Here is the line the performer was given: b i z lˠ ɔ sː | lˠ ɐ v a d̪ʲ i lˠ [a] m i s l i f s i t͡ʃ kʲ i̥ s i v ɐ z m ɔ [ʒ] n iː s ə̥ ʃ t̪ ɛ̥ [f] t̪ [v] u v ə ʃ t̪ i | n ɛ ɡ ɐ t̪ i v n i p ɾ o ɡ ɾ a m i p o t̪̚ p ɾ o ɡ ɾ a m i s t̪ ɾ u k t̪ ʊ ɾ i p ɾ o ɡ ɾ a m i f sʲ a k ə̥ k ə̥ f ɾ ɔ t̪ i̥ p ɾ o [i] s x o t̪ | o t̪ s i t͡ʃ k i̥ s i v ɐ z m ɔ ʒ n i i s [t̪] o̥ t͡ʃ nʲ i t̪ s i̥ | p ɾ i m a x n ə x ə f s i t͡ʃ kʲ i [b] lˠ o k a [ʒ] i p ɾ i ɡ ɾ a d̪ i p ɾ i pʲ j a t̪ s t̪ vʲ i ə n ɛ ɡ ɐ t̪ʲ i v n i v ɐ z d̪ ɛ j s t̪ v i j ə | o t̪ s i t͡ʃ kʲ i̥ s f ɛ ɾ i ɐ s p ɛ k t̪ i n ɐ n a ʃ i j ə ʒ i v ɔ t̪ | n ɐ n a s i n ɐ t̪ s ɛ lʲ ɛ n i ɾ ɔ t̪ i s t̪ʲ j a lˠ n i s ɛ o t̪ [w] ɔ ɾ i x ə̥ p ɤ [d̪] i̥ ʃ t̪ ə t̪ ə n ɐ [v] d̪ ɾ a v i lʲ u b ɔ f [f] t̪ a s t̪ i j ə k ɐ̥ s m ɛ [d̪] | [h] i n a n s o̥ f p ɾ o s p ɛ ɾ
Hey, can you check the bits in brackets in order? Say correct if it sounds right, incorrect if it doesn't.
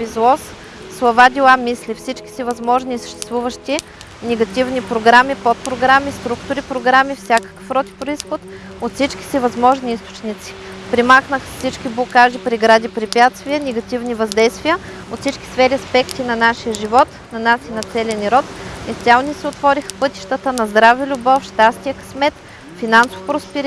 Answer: correct, correct, incorrect: s, correct, correct, correct, correct, correct, incorrect: v, incorrect: t̪, incorrect: z, incorrect: ʃ, incorrect: t̪, incorrect: f

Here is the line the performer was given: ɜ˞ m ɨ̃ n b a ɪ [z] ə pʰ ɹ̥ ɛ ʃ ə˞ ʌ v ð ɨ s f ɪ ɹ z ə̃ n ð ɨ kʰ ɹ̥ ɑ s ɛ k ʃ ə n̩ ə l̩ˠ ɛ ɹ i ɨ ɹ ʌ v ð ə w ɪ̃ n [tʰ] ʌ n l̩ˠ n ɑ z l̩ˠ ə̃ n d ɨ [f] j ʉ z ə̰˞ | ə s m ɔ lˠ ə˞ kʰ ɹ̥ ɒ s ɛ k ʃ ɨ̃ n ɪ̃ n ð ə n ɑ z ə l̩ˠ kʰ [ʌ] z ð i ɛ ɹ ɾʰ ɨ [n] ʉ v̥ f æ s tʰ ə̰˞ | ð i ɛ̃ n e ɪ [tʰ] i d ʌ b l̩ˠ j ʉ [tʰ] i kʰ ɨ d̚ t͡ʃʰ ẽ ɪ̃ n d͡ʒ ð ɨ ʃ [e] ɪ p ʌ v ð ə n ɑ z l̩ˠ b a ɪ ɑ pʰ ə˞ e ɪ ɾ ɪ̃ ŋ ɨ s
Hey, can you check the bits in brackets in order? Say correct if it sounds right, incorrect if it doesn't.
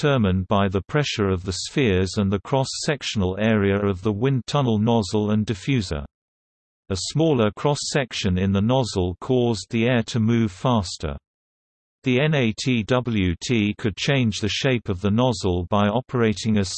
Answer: incorrect: ð, correct, correct, incorrect: ɔ, incorrect: m, correct, correct, correct

